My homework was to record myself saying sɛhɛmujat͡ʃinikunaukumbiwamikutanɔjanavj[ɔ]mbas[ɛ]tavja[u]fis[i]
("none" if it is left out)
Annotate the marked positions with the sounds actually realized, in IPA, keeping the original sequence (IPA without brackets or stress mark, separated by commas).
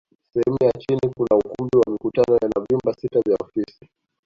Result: u, i, ɔ, i